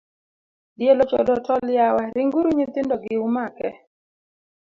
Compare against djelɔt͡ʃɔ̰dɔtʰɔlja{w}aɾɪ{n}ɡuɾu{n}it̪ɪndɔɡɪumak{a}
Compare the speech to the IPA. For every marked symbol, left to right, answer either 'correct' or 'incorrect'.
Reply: correct, incorrect, incorrect, incorrect

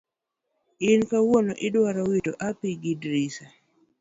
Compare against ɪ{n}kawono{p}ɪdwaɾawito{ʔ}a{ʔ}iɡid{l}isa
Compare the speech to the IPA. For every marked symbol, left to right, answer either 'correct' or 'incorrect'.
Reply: correct, incorrect, correct, incorrect, incorrect

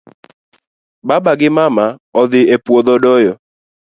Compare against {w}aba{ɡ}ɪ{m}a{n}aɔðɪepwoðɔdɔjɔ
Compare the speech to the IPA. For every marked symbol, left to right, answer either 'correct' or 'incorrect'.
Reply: incorrect, correct, correct, incorrect

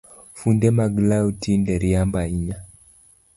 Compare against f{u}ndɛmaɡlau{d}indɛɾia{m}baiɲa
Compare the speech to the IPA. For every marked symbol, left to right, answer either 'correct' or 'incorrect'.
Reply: correct, incorrect, correct

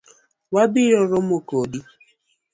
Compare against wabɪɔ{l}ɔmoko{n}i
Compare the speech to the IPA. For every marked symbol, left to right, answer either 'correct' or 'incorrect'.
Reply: incorrect, incorrect

